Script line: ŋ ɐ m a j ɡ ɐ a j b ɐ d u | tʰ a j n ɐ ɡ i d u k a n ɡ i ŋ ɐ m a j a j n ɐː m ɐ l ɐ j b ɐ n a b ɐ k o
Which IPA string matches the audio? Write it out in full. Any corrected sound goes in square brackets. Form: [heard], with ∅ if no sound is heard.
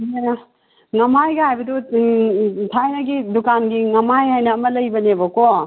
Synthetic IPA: ŋ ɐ m a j ɡ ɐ a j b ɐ d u | tʰ a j n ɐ ɡ i d u k a n ɡ i ŋ ɐ m a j a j n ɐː m ɐ l ɐ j b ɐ n [e] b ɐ k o